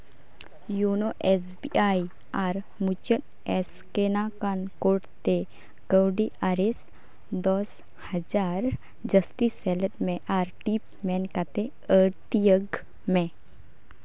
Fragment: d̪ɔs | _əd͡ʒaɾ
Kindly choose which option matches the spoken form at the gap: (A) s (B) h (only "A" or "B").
B